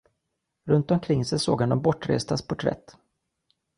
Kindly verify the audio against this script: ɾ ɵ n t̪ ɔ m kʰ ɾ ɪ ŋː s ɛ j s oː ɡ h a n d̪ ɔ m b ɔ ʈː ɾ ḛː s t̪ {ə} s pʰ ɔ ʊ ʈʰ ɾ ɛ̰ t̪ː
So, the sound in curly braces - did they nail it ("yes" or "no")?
no